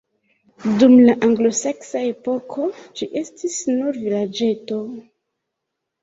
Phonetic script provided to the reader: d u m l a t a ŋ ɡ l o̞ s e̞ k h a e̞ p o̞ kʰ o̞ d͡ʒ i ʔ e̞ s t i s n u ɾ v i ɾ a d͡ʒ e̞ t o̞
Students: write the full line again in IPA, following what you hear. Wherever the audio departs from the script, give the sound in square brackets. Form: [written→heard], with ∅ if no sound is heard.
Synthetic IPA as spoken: d u m l a [t→ʔ] a ŋ ɡ l o̞ s e̞ k [h→s] a e̞ p o̞ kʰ o̞ d͡ʒ i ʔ e̞ s t i s n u ɾ v i [ɾ→l] a d͡ʒ e̞ t o̞